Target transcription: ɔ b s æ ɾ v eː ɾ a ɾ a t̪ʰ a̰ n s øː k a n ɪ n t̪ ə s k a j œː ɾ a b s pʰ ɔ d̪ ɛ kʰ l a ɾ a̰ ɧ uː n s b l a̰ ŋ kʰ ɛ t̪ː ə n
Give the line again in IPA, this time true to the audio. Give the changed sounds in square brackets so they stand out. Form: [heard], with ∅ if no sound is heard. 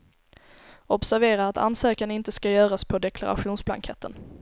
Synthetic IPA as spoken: ɔ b s æ ɾ v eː ɾ a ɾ a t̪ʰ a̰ n s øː k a n ɪ n t̪ ə s k a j œː ɾ a [∅] s pʰ ɔ d̪ ɛ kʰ l a ɾ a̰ ɧ uː n s b l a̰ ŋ kʰ ɛ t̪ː ə n